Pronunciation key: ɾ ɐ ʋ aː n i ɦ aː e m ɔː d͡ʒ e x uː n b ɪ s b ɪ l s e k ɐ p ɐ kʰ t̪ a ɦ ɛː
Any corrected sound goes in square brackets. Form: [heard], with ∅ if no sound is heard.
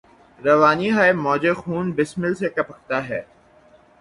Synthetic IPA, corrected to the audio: ɾ ɐ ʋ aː n i ɦ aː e m ɔː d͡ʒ e x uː n b ɪ s [m] ɪ l s e k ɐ p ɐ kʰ t̪ a ɦ ɛː

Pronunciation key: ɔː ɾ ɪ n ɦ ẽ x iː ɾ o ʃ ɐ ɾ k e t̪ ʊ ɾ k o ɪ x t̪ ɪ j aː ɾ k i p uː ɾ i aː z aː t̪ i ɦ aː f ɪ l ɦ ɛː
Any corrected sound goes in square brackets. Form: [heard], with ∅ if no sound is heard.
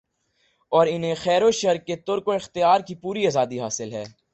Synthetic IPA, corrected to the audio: ɔː ɾ ɪ n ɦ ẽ x [ɛː] ɾ o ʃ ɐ ɾ k e t̪ ʊ ɾ k o ɪ x t̪ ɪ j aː ɾ k i p uː ɾ i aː z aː [d̪] i ɦ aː [s] ɪ l ɦ ɛː

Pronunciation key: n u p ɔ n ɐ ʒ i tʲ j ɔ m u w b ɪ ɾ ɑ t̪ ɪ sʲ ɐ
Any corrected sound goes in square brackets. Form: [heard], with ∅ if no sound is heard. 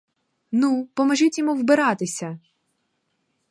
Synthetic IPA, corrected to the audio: n u p ɔ [m] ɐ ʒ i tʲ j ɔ m u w b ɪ ɾ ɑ t̪ ɪ sʲ ɐ

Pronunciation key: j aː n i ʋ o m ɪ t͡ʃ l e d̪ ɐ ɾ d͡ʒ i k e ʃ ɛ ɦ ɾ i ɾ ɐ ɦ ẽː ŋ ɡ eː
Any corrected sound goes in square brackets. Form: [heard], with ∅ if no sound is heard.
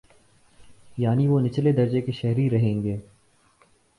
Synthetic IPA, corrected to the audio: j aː n i ʋ o [n] ɪ t͡ʃ l e d̪ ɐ ɾ d͡ʒ [e] k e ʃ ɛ ɦ ɾ i ɾ ɐ ɦ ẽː ŋ ɡ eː

